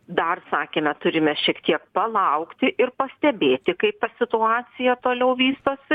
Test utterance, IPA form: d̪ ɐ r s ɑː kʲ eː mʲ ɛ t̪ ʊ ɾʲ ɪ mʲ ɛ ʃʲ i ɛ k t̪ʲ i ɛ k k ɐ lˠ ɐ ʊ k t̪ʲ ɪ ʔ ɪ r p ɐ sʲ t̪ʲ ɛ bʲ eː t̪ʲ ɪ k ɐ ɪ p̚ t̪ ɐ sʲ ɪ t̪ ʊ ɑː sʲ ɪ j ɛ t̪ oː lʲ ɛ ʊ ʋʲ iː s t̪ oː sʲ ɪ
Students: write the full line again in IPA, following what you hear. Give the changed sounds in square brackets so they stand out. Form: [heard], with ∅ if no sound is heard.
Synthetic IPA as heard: d̪ ɐ r s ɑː kʲ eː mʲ ɛ t̪ ʊ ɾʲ ɪ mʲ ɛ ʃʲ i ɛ k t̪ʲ i ɛ k [p] ɐ lˠ ɐ ʊ k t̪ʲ ɪ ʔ ɪ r p ɐ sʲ t̪ʲ ɛ bʲ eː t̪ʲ ɪ k ɐ ɪ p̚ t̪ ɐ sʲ ɪ t̪ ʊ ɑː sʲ ɪ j ɛ t̪ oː lʲ ɛ ʊ ʋʲ iː s t̪ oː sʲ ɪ

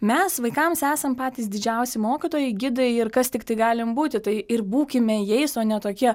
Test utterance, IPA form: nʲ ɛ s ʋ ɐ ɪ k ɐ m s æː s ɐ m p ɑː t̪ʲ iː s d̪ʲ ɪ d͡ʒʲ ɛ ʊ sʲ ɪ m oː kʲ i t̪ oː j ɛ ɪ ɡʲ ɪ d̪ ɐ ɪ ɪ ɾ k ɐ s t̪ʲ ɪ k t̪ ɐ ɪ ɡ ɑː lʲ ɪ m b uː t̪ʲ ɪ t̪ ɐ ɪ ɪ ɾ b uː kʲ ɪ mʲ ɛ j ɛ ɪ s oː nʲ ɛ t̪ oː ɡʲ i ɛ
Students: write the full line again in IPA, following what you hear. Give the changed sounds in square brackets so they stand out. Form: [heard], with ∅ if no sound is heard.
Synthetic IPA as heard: [mʲ] ɛ s ʋ ɐ ɪ k ɐ m s æː s ɐ m p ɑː t̪ʲ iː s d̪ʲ ɪ d͡ʒʲ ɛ ʊ sʲ ɪ m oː kʲ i t̪ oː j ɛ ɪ ɡʲ ɪ d̪ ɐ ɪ ɪ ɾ k ɐ s t̪ʲ ɪ k t̪ ɐ ɪ ɡ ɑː lʲ ɪ m b uː t̪ʲ ɪ t̪ ɐ ɪ ɪ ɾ b uː kʲ ɪ mʲ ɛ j ɛ ɪ s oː nʲ ɛ t̪ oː [kʲ] i ɛ

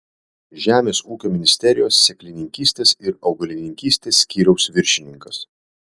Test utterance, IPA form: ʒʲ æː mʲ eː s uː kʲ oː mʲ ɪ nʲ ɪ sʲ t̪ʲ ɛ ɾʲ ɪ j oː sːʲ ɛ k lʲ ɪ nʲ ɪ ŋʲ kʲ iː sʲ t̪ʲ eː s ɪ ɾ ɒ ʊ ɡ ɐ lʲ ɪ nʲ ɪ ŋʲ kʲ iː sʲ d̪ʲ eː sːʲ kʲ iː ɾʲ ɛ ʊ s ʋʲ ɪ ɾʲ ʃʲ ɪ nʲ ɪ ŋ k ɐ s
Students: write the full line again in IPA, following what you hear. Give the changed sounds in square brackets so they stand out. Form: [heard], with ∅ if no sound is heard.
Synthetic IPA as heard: ʒʲ æː mʲ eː s uː kʲ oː mʲ ɪ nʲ ɪ sʲ t̪ʲ ɛ ɾʲ ɪ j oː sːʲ ɛ k lʲ ɪ nʲ ɪ ŋʲ kʲ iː sʲ t̪ʲ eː s ɪ ɾ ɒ ʊ ɡ ɐ lʲ ɪ nʲ ɪ ŋʲ kʲ iː sʲ [t̪ʲ] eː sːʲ kʲ iː ɾʲ ɛ ʊ s ʋʲ ɪ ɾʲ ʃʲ ɪ nʲ ɪ ŋ k ɐ s

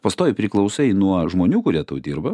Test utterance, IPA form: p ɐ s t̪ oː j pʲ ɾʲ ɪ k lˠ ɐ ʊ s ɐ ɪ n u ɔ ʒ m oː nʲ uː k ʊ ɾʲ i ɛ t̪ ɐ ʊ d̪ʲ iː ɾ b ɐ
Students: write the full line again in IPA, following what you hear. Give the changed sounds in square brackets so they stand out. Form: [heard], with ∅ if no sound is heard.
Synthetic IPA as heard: p ɐ s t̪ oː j pʲ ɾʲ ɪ k lˠ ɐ ʊ s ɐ ɪ n u ɔ ʒ m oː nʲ uː k ʊ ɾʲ i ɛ t̪ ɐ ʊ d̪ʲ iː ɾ b ɐ

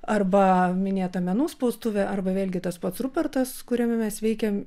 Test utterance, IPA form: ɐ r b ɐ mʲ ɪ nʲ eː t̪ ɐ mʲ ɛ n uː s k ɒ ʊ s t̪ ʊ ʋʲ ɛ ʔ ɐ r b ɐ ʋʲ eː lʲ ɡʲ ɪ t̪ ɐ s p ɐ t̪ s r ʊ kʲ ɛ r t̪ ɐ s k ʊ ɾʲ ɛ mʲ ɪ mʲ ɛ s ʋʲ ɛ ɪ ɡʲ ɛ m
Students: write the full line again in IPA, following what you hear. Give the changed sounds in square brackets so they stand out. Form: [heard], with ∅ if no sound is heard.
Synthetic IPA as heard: ɐ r b ɐ mʲ ɪ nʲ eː t̪ ɐ mʲ ɛ n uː s [p] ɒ ʊ s t̪ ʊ ʋʲ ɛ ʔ ɐ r b ɐ ʋʲ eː lʲ ɡʲ ɪ t̪ ɐ s p ɐ t̪ s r ʊ [pʲ] ɛ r t̪ ɐ s k ʊ ɾʲ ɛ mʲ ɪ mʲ ɛ s ʋʲ ɛ ɪ [kʲ] ɛ m

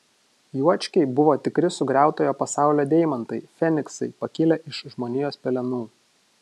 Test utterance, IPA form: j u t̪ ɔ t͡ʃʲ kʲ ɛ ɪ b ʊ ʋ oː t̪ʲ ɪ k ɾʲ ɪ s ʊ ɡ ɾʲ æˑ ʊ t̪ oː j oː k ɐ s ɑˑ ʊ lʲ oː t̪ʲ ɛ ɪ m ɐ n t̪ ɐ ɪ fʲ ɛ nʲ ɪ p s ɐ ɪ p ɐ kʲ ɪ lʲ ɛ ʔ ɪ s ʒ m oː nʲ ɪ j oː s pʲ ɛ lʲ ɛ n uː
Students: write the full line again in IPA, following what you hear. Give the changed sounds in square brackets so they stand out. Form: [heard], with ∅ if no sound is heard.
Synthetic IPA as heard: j u [∅] ɔ t͡ʃʲ kʲ ɛ ɪ b ʊ ʋ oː t̪ʲ ɪ k ɾʲ ɪ s ʊ ɡ ɾʲ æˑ ʊ t̪ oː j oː [p] ɐ s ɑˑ ʊ lʲ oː [d̪ʲ] ɛ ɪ m ɐ n t̪ ɐ ɪ fʲ ɛ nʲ ɪ [k] s ɐ ɪ p ɐ kʲ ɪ lʲ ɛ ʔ ɪ [ʃ] ʒ m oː nʲ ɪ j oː s pʲ ɛ lʲ ɛ n uː

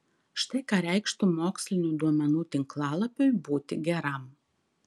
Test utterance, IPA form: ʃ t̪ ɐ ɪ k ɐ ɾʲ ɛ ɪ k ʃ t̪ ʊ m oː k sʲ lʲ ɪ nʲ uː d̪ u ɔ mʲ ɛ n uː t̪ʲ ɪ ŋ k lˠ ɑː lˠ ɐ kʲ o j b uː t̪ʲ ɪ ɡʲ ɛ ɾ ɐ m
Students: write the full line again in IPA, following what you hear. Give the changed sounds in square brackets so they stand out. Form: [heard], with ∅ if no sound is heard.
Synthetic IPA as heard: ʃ t̪ ɐ ɪ k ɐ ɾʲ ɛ ɪ k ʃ t̪ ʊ m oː k sʲ lʲ ɪ nʲ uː d̪ u ɔ mʲ ɛ n uː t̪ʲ ɪ ŋ k lˠ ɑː lˠ ɐ [pʲ] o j b uː t̪ʲ ɪ ɡʲ ɛ ɾ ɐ m

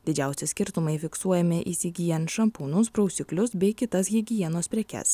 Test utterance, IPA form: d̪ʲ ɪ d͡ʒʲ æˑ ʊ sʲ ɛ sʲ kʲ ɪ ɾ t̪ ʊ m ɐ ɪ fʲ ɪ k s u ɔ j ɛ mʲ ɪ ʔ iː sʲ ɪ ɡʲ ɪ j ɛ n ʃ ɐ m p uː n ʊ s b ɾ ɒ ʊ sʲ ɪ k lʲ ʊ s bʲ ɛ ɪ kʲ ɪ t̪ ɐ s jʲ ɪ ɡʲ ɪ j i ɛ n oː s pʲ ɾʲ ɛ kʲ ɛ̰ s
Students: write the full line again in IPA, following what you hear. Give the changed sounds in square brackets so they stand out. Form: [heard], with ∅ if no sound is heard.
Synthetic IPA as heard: d̪ʲ ɪ d͡ʒʲ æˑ ʊ sʲ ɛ sʲ kʲ ɪ ɾ t̪ ʊ m ɐ ɪ fʲ ɪ k s u ɔ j ɛ mʲ ɪ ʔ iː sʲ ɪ ɡʲ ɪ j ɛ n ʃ ɐ m p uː n ʊ s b ɾ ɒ ʊ sʲ ɪ k lʲ ʊ s bʲ ɛ ɪ kʲ ɪ t̪ ɐ s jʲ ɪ ɡʲ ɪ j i ɛ n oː s pʲ ɾʲ ɛ kʲ ɛ̰ s

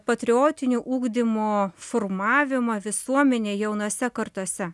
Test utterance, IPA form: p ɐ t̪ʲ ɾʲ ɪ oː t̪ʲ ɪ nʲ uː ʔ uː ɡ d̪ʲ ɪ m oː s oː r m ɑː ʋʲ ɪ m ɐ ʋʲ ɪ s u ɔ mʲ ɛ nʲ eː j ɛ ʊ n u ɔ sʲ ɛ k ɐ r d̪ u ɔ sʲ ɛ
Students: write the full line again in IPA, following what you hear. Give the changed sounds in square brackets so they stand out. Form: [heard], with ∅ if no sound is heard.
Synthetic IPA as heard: p ɐ t̪ʲ ɾʲ ɪ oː t̪ʲ ɪ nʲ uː ʔ uː ɡ d̪ʲ ɪ m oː [f] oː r m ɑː ʋʲ ɪ m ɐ ʋʲ ɪ s u ɔ mʲ ɛ nʲ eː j ɛ ʊ n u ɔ sʲ ɛ k ɐ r [t̪] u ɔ sʲ ɛ

